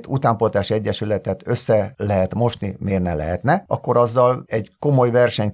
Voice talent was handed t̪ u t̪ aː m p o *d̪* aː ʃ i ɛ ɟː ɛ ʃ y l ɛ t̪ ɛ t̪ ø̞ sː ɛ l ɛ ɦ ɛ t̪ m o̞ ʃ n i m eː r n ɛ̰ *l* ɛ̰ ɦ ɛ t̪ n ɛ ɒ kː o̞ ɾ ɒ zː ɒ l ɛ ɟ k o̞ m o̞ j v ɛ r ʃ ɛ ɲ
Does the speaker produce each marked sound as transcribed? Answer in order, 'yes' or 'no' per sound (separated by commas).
no, yes